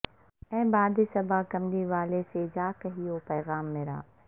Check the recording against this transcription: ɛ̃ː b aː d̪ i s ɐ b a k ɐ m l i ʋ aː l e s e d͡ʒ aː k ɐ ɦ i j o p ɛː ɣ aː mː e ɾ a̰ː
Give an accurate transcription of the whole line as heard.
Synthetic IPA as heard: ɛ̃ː b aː d̪ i s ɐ b a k ɐ m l i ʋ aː l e s e d͡ʒ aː k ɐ ɦ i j o p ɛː ɣ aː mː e ɾ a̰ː